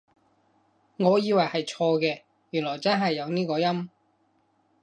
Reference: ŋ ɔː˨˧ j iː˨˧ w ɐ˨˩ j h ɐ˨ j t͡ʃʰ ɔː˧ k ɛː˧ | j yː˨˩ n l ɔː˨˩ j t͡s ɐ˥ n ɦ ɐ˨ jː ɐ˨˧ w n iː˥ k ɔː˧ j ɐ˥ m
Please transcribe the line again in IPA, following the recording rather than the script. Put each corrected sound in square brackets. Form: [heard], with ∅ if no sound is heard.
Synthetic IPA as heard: ŋ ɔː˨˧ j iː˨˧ w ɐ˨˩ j h ɐ˨ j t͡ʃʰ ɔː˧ k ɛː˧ | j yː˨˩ n l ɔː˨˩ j t͡s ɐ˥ n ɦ ɐ˨ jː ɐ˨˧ w n iː˥ k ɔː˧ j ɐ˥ m